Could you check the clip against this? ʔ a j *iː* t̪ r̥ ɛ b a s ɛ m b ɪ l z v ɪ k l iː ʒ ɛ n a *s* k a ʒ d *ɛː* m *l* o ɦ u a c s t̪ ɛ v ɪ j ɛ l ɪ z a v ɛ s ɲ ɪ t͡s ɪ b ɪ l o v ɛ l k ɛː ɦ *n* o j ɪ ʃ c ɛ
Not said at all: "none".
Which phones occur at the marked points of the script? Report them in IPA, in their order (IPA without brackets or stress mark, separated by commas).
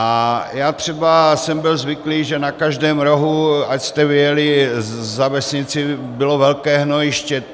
aː, none, ɛː, ɾ, n